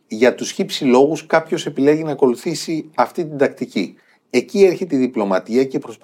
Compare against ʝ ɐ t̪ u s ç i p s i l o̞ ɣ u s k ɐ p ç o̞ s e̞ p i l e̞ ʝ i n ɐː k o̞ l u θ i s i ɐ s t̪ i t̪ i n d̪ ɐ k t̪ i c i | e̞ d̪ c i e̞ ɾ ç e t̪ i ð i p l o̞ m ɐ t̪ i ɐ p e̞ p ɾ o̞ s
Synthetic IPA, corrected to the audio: ʝ ɐ t̪ u s ç i p s i l o̞ ɣ u s k ɐ p ç o̞ s e̞ p i l e̞ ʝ i n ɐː k o̞ l u θ i s i ɐ f t̪ i t̪ i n d̪ ɐ k t̪ i c i | e̞ c i e̞ ɾ ç e t̪ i ð i p l o̞ m ɐ t̪ i ɐ c e̞ p ɾ o̞ s